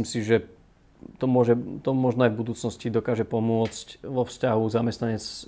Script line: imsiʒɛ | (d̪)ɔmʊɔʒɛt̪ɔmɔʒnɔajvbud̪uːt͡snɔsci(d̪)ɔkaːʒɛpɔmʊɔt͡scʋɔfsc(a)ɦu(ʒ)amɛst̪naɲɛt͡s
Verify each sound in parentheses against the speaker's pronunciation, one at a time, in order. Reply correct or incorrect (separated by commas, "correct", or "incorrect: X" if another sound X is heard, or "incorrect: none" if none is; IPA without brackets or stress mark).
incorrect: t̪, correct, correct, incorrect: z